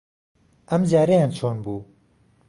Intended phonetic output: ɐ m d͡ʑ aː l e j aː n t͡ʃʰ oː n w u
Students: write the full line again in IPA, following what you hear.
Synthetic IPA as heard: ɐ m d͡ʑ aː ɾ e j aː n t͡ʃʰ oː n b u